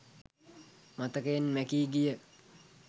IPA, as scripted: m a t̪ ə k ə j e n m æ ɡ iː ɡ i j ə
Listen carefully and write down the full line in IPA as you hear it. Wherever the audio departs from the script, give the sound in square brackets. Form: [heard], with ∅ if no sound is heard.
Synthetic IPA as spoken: m a t̪ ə k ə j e n m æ [k] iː ɡ i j ə

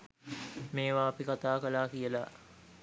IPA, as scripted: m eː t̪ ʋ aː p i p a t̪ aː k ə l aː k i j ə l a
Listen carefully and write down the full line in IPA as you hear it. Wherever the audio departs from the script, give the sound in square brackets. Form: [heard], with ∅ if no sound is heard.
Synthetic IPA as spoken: m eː [∅] ʋ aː p i [k] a t̪ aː k ə l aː k i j ə l a

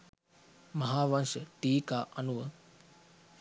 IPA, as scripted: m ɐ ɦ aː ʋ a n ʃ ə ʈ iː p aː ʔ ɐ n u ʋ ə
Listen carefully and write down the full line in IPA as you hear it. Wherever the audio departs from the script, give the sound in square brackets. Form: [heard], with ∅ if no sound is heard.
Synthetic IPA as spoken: m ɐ ɦ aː ʋ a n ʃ ə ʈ iː [k] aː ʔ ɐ n u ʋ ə

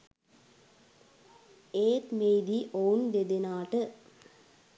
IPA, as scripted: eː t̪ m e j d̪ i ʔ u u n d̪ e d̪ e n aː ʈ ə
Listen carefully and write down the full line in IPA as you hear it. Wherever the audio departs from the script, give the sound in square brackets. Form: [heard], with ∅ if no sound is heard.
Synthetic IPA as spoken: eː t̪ m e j d̪ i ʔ [o] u n d̪ e d̪ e n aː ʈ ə

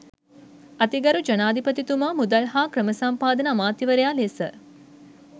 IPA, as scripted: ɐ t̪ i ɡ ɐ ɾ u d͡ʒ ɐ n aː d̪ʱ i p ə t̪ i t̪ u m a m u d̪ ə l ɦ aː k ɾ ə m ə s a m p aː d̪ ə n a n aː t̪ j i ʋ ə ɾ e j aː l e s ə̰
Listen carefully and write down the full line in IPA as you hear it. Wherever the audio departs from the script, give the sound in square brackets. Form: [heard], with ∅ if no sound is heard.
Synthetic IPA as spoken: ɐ t̪ i ɡ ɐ ɾ u d͡ʒ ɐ n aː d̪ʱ i p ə t̪ i t̪ u m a m u d̪ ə l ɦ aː k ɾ ə m ə s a m p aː d̪ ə n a [m] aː t̪ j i ʋ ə ɾ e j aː l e s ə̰

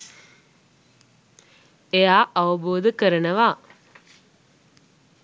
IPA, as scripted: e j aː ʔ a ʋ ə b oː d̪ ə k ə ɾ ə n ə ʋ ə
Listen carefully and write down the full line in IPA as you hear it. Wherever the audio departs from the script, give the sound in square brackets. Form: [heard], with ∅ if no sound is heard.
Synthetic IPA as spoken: e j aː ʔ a ʋ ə b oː d̪ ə k ə ɾ ə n ə ʋ [a]

